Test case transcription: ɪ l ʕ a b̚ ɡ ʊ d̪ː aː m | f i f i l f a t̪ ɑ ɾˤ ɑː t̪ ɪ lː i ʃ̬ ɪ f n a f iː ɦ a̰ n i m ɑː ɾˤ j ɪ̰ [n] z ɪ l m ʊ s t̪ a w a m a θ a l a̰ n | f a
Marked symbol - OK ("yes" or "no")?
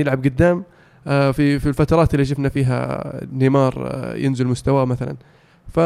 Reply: yes